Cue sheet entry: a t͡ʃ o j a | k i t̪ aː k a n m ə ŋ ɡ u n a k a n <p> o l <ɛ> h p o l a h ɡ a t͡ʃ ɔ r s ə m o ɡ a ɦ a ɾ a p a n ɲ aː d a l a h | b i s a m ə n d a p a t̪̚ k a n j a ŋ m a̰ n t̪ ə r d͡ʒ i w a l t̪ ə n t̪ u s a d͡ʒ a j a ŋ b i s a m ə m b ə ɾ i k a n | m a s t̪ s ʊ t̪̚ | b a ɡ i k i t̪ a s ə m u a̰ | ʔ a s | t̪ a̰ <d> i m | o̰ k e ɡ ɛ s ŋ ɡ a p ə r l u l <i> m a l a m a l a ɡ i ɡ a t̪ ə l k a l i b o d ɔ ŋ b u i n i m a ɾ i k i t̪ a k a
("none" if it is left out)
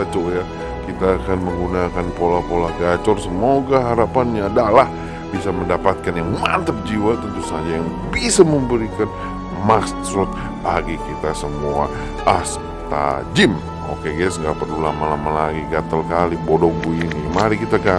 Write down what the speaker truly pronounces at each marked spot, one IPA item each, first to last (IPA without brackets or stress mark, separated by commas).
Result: p, a, d͡ʒ, a